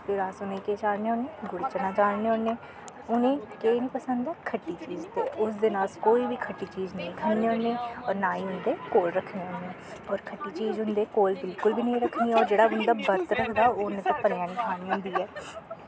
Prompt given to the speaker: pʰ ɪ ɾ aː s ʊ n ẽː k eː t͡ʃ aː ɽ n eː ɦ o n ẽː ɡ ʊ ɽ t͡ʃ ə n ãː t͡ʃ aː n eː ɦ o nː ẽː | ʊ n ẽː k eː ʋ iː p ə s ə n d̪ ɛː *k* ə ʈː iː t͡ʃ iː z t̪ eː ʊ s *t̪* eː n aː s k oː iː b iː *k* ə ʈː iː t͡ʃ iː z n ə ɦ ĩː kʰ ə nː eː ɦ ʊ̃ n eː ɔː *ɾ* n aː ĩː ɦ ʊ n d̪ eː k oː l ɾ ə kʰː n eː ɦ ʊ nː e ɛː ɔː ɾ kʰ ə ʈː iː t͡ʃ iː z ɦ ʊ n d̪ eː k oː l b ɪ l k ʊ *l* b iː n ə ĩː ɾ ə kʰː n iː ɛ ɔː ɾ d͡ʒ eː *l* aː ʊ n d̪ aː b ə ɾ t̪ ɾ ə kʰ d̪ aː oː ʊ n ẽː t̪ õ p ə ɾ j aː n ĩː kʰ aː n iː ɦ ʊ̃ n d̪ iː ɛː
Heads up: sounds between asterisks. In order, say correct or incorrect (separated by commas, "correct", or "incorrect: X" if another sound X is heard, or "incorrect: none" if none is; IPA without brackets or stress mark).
incorrect: kʰ, incorrect: d̪, incorrect: kʰ, correct, correct, incorrect: ɽ